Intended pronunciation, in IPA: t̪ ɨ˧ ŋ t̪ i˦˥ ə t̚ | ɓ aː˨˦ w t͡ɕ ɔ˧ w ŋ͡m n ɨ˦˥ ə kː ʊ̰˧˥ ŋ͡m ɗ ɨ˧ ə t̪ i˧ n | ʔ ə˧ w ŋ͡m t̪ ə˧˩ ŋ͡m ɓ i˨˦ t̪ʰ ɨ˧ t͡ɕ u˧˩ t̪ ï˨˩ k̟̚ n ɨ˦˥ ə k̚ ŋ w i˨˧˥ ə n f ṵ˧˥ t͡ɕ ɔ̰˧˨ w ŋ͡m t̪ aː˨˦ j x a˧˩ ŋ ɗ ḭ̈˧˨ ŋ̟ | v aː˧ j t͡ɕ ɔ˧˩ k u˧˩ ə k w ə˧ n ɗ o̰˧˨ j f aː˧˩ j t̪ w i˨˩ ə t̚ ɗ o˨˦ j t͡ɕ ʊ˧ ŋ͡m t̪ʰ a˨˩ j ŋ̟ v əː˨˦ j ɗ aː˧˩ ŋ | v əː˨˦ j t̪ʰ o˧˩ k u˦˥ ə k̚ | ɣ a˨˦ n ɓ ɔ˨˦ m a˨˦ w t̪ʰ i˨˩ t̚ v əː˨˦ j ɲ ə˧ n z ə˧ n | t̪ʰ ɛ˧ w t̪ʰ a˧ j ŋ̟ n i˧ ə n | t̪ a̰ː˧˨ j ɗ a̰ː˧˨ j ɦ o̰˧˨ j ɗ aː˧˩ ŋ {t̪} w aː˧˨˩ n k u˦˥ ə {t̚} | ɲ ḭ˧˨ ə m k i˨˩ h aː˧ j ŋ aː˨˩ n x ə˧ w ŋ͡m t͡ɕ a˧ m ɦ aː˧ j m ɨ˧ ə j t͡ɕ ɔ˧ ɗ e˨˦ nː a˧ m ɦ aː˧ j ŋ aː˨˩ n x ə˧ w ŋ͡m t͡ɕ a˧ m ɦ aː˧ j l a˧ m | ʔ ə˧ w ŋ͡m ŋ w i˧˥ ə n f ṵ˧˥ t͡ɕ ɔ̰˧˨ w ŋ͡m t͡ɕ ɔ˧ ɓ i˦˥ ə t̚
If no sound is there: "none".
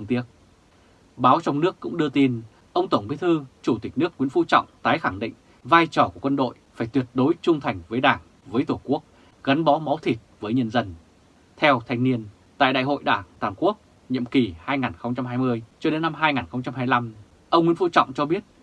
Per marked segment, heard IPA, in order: t̪, k̚

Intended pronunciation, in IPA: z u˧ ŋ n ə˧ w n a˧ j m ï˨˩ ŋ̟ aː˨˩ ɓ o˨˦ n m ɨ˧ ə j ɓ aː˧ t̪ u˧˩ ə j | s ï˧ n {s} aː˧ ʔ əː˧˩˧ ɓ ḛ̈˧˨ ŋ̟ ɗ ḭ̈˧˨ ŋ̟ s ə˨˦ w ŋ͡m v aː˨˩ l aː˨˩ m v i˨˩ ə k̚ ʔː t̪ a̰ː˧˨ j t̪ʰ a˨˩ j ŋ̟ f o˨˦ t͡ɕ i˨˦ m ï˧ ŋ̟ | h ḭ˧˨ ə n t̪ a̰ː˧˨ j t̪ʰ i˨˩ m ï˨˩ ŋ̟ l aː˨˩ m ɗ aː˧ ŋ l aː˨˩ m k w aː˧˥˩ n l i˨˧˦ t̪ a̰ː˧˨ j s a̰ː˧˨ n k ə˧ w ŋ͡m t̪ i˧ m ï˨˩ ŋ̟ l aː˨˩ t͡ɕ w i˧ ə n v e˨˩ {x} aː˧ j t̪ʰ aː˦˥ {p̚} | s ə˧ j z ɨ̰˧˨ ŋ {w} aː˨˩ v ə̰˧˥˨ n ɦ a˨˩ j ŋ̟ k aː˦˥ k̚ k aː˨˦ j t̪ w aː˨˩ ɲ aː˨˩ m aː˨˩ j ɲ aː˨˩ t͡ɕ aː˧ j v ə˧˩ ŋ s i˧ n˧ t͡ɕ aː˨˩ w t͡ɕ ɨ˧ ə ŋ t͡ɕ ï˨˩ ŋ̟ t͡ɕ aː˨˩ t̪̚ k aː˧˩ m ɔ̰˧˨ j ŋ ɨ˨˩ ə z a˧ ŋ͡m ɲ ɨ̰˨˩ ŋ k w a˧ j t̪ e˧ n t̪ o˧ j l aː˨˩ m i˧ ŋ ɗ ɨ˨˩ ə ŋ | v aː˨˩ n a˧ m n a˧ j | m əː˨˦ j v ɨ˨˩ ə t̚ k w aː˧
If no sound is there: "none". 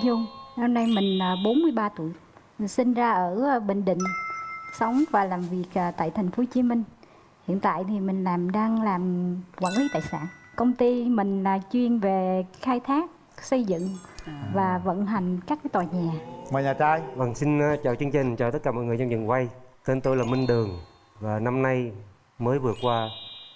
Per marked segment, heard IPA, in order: z, x, k̚, v

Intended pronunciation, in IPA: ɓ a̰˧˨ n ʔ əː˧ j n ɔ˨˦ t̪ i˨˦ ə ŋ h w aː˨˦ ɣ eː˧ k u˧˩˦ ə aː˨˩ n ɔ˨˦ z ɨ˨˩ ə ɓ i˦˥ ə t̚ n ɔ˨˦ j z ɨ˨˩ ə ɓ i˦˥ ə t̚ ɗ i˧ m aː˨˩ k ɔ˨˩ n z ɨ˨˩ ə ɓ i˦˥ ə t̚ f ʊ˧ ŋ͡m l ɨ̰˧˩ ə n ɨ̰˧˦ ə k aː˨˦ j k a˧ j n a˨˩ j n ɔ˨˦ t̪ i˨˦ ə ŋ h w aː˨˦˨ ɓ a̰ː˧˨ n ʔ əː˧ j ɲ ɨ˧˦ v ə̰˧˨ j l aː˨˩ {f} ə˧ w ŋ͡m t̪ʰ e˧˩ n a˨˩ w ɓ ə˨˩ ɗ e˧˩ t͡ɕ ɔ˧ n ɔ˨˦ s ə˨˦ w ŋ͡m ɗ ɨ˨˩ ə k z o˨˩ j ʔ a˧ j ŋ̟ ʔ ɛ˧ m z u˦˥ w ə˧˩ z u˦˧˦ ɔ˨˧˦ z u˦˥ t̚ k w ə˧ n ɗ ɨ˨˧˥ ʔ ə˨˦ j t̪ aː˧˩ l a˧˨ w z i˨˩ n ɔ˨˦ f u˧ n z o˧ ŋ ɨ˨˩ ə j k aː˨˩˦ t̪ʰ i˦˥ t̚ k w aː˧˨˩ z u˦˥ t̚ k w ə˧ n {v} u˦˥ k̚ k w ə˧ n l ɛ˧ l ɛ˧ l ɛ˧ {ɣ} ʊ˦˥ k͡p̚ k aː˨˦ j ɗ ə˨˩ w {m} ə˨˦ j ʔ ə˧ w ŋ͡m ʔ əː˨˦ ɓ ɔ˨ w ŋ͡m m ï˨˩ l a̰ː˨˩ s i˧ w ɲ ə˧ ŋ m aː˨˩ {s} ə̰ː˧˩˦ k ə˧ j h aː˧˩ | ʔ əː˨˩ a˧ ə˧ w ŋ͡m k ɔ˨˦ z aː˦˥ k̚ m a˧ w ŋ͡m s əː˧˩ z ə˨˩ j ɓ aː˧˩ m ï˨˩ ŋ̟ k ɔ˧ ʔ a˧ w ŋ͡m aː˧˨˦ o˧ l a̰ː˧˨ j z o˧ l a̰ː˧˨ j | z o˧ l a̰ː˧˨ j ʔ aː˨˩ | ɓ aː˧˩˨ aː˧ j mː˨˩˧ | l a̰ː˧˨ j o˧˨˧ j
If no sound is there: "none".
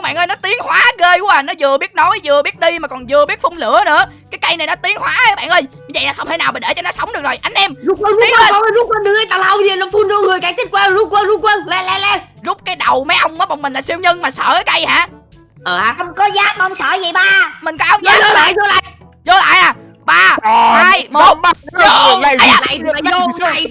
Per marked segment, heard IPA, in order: x, z, z, m, s

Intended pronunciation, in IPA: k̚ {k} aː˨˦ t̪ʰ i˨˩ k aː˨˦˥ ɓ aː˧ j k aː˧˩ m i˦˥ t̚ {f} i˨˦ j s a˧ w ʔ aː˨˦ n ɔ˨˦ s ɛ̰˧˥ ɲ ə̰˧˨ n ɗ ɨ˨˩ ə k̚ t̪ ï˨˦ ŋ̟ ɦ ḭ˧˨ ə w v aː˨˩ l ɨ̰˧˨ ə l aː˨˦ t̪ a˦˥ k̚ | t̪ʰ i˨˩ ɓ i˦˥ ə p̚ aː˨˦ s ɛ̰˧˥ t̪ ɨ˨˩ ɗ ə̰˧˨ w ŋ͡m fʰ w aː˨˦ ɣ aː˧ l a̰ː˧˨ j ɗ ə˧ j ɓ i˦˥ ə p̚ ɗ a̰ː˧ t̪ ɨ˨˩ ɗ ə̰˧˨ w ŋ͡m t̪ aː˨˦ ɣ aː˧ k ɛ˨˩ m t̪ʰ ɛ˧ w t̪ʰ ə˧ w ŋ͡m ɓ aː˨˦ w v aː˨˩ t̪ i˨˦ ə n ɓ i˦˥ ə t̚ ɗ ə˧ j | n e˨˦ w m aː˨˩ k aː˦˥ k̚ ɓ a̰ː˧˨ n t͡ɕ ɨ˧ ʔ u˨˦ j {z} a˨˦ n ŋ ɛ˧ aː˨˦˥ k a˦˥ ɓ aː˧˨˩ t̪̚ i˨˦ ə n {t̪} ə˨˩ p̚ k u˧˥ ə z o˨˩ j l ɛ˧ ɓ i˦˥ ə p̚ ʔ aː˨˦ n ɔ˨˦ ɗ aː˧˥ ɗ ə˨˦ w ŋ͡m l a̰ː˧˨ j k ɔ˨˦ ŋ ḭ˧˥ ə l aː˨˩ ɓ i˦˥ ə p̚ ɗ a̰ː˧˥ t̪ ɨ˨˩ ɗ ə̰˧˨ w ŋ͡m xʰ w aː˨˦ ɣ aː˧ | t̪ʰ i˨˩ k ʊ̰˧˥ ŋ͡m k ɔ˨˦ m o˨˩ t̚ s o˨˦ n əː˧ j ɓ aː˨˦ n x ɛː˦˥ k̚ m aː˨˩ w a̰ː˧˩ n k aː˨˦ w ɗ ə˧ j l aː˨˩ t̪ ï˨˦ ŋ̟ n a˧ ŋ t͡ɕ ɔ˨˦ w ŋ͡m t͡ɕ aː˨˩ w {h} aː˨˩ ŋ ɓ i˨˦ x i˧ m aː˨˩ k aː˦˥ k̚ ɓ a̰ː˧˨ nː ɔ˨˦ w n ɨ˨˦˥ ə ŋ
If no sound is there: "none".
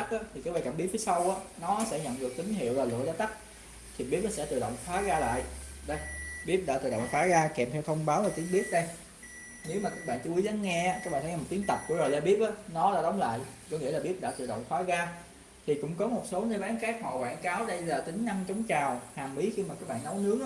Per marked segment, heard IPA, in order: ʔ, f, z, t̪, h

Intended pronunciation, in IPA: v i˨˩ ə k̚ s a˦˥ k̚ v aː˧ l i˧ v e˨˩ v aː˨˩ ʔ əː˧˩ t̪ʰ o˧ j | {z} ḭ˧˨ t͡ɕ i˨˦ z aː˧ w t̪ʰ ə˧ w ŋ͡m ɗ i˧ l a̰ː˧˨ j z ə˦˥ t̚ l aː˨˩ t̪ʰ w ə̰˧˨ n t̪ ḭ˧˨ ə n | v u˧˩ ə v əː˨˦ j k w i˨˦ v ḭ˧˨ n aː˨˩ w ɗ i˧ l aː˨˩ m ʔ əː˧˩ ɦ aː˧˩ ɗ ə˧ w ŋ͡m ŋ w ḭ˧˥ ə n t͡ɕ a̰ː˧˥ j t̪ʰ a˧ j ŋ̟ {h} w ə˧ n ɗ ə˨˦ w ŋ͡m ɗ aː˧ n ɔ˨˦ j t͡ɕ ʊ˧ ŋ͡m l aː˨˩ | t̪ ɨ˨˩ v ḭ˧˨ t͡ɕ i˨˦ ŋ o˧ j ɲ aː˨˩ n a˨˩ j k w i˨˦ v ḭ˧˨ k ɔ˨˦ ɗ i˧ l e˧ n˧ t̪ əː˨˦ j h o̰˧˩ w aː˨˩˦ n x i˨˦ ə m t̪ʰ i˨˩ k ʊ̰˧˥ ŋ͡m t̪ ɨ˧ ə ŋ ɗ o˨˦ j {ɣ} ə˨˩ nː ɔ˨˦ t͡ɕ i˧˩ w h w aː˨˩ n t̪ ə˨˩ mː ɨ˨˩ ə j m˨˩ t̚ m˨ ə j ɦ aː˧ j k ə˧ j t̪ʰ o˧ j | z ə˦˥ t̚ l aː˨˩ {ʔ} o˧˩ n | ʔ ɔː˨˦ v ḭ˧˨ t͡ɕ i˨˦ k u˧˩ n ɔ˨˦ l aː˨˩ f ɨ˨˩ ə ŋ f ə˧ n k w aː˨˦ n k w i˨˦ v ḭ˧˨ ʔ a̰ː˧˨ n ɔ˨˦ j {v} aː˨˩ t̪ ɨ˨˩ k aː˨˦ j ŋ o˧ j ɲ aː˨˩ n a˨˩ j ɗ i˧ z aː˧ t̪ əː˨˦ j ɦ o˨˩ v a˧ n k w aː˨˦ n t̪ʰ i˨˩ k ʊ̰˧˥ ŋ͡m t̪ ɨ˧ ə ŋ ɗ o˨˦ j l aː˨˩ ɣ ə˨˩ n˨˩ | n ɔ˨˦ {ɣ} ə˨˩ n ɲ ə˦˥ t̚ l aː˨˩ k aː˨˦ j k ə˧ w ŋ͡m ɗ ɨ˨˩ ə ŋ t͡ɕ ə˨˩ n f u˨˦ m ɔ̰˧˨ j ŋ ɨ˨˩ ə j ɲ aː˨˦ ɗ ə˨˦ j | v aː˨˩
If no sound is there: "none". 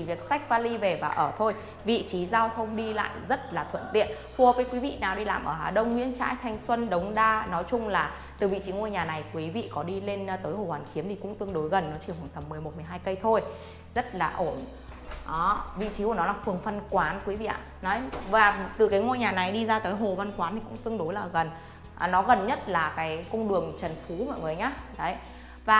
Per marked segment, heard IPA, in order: v, s, ɣ, ʔ, v, ɣ

